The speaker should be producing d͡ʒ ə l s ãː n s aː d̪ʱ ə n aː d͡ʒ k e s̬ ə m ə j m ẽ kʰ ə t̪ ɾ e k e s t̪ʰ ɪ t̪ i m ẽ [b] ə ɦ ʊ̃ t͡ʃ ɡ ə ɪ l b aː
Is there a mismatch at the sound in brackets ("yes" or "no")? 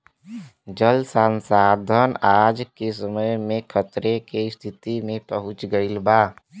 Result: yes